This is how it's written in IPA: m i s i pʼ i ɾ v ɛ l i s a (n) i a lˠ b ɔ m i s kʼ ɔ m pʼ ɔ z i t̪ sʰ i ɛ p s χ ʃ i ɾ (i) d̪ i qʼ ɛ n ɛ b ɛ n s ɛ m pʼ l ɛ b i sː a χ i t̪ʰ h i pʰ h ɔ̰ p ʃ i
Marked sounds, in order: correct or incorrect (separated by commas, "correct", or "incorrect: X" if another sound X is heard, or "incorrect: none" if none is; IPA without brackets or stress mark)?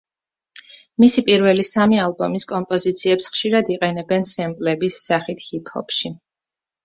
incorrect: m, incorrect: a